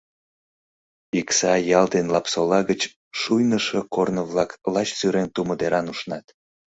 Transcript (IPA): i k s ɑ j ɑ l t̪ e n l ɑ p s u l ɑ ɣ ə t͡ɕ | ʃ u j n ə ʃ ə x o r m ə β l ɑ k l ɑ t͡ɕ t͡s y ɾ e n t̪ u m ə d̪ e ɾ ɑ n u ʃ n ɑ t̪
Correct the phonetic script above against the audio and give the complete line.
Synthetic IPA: i k s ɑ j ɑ l d̪ e n l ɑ p s o l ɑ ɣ ə t͡ɕ | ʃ u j n ə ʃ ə k o r n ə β l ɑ k l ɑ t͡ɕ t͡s y ɾ e n t̪ u m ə d̪ e ɾ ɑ n u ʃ n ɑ t̪